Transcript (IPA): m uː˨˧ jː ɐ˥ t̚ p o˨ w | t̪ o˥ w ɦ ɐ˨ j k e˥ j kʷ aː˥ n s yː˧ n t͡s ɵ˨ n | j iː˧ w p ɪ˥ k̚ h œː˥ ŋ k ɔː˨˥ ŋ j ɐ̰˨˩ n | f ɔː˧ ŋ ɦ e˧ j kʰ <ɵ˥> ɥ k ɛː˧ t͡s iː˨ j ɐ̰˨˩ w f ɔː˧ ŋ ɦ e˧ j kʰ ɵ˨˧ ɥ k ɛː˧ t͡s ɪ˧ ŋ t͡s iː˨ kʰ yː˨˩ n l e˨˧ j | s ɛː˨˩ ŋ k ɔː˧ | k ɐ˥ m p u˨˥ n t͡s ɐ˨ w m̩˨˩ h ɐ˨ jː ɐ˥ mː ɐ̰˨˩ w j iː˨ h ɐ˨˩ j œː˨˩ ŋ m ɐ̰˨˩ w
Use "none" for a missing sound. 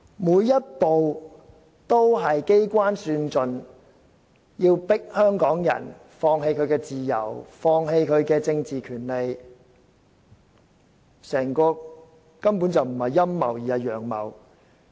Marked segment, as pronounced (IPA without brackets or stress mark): ɵ˨˧